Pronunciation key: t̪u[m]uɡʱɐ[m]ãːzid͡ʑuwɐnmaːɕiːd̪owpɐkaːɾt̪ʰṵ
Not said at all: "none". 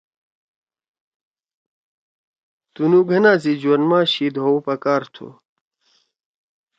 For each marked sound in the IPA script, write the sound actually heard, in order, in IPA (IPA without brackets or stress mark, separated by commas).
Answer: n, n